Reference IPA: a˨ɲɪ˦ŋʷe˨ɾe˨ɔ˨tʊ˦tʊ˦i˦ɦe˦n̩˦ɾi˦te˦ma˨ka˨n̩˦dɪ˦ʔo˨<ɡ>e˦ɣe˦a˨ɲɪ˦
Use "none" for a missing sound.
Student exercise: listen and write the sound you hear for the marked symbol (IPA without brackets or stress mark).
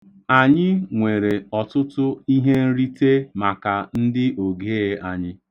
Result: ɡ